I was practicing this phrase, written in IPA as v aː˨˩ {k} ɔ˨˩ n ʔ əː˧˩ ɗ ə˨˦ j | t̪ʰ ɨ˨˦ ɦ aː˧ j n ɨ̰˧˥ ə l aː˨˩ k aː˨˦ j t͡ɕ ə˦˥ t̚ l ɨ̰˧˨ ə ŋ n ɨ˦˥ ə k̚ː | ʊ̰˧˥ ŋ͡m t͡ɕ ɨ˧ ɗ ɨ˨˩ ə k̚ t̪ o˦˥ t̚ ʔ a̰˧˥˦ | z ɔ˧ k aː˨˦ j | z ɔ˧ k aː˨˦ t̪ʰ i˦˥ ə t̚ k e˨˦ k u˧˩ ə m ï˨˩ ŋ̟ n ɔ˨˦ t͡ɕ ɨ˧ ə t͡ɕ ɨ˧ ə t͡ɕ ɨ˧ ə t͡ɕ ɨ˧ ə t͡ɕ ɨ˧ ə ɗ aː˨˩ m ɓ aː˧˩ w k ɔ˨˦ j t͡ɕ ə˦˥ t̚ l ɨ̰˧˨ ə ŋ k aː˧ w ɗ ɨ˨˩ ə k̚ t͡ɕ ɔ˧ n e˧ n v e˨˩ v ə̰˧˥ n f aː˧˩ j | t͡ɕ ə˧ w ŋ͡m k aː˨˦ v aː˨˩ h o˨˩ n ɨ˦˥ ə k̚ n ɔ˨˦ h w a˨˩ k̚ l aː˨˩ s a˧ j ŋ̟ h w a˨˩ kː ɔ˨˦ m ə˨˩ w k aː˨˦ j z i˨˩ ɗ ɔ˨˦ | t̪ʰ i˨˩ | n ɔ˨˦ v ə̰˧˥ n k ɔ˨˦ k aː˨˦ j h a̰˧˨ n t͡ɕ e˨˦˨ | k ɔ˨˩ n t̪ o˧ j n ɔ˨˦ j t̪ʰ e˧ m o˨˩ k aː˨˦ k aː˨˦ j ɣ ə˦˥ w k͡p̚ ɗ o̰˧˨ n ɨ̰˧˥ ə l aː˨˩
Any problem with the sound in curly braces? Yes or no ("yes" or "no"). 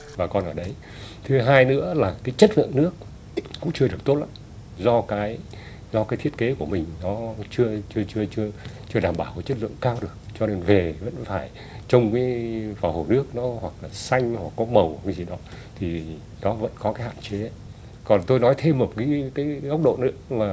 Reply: no